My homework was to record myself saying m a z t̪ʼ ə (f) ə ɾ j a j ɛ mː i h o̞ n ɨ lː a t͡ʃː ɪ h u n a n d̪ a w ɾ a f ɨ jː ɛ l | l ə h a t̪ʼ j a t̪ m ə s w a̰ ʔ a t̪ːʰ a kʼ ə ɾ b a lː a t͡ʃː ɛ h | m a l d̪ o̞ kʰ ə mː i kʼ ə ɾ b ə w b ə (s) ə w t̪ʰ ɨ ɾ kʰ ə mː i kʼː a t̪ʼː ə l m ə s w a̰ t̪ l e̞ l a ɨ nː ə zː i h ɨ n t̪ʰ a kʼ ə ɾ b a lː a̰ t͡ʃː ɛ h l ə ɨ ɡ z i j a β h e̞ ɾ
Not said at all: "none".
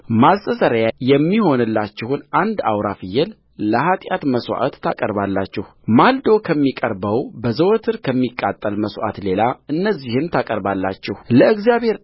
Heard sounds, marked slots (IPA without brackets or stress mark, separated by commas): s, z